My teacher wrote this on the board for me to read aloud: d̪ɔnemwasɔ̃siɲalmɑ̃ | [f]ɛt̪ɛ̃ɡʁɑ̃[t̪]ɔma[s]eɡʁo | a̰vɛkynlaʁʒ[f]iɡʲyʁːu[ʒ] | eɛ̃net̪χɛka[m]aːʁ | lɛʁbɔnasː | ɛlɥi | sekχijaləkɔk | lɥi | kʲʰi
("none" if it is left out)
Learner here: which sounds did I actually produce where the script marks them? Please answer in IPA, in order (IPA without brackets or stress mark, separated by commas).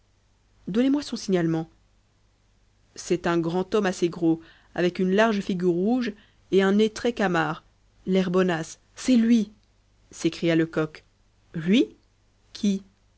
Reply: s, t̪, s, f, ʒ, m